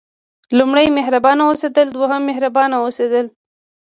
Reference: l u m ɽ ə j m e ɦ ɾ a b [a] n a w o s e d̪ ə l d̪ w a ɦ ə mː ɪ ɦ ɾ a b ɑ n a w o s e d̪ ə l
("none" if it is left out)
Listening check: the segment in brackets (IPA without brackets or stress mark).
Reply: ɑ